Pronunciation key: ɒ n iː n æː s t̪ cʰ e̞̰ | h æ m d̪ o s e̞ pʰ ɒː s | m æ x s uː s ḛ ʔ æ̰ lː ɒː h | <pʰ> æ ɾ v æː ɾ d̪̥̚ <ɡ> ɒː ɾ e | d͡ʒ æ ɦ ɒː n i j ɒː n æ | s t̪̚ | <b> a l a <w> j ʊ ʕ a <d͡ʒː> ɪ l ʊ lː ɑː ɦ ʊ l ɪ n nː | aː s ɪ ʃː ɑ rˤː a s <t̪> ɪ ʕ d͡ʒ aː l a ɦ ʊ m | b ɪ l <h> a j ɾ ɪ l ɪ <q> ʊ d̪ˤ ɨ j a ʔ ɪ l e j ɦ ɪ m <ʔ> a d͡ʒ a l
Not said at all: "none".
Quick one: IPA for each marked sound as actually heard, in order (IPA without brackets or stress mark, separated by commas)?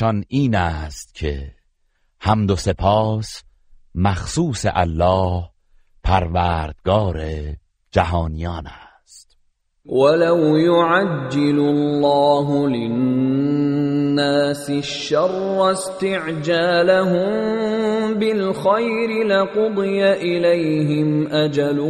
pʰ, ɡ, w, w, d͡ʒː, t̪, x, q, ʔ